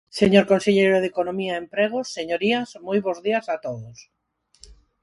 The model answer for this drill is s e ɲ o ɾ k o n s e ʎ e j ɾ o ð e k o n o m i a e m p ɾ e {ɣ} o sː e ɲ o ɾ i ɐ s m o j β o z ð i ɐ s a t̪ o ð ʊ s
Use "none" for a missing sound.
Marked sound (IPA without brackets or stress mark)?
ɣ